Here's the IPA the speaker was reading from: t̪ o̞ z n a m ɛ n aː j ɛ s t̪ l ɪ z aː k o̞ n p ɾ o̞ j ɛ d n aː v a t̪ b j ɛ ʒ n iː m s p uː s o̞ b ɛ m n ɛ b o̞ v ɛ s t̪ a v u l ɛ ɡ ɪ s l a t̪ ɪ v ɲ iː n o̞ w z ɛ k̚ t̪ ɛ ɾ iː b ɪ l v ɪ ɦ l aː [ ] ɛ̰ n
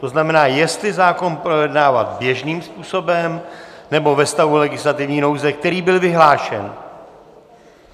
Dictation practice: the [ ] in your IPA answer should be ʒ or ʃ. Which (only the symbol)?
ʃ